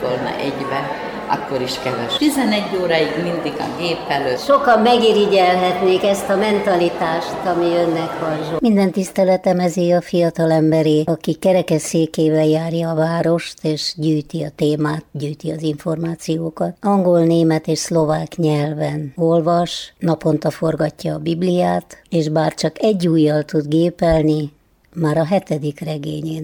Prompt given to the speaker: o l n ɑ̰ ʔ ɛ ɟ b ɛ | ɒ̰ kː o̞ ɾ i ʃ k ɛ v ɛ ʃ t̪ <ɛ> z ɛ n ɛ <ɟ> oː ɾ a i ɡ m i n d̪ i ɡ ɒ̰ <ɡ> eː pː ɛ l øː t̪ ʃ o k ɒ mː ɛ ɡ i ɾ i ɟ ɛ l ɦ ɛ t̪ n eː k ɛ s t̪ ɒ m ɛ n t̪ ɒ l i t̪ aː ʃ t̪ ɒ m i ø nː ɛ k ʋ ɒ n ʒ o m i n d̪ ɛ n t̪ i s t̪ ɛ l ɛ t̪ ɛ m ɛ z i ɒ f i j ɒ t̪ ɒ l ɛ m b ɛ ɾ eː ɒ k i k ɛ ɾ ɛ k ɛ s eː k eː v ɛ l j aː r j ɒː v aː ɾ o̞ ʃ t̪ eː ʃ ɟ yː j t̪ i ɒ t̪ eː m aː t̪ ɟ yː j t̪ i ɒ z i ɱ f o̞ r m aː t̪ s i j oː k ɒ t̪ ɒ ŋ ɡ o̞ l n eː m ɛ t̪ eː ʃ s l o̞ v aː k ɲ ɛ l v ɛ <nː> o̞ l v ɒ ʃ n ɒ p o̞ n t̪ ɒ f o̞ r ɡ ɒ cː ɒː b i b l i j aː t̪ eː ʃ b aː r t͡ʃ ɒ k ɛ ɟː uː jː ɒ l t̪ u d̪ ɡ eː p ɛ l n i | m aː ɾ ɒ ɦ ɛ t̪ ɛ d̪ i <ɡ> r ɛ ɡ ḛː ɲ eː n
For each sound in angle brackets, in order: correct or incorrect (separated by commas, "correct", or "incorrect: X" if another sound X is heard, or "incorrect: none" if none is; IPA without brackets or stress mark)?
incorrect: i, incorrect: ɟː, correct, incorrect: n, incorrect: k